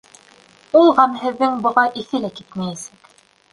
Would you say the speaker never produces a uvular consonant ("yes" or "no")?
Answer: no